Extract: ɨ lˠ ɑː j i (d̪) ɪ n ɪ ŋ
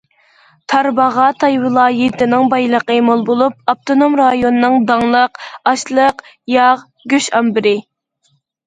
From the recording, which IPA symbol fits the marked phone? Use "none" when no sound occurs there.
t̪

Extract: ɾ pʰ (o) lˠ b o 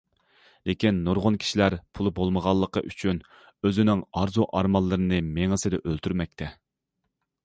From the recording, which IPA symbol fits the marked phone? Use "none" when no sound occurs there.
u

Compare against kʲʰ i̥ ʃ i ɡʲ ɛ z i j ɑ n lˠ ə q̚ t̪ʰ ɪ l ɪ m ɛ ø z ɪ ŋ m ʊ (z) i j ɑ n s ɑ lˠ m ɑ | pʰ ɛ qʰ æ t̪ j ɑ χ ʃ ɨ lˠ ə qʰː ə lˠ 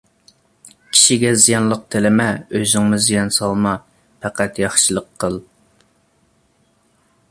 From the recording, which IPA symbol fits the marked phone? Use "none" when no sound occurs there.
z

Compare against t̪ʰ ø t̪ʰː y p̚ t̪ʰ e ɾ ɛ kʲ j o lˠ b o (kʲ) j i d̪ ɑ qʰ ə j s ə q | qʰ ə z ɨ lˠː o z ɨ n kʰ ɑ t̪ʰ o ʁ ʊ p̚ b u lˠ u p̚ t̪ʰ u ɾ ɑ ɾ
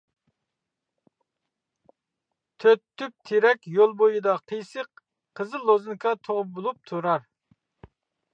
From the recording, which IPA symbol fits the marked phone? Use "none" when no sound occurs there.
none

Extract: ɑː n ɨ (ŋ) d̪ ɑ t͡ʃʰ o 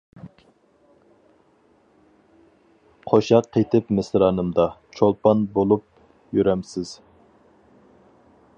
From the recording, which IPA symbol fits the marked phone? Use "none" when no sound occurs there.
m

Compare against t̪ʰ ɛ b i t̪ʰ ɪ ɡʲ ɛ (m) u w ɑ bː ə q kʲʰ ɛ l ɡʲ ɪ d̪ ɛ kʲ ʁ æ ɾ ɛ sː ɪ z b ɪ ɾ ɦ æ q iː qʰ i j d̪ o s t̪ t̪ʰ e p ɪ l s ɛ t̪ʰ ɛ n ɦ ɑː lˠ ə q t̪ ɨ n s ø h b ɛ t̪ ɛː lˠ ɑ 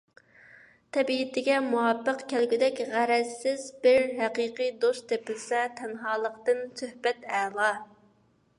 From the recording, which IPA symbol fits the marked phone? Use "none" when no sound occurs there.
m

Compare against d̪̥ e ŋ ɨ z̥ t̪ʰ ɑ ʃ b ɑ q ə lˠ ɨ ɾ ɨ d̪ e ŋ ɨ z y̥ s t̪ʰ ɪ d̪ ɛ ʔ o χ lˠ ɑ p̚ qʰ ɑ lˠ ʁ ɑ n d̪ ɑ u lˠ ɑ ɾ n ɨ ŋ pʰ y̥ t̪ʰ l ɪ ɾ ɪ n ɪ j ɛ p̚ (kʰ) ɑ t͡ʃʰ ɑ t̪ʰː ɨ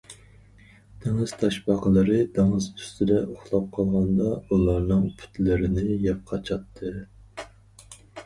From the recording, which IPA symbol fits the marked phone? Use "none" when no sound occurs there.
qʰ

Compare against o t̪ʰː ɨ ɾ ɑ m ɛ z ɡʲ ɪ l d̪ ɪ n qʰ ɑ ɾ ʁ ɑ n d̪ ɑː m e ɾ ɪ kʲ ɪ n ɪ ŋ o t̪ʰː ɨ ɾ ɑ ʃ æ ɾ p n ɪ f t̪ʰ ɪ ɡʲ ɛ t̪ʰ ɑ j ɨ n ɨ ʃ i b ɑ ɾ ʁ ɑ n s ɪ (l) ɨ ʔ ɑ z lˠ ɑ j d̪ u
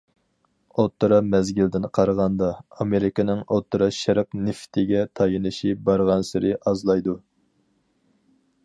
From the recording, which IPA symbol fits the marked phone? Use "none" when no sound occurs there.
ɾ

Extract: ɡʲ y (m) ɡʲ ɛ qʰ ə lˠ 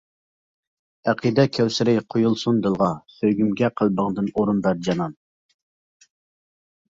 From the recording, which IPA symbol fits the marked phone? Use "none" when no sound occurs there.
m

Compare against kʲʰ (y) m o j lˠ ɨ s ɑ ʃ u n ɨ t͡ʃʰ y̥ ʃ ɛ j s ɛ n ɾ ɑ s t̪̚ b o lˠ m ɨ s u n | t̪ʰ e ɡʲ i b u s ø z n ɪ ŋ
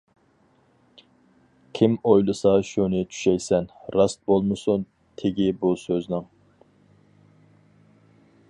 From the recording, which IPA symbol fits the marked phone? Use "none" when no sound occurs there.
i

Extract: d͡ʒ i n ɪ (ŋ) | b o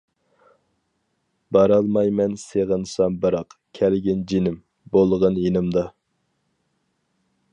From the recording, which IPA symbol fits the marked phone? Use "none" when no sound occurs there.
m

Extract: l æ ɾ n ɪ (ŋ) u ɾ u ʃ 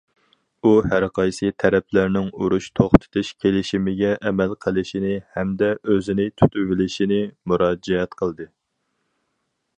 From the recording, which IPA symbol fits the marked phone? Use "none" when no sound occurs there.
ŋ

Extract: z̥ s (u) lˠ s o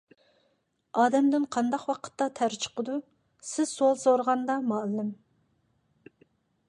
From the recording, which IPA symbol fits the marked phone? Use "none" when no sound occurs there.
o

